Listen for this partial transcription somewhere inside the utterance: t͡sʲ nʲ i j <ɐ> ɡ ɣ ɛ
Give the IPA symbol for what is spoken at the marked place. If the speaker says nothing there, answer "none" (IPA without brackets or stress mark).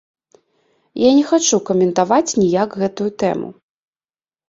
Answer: a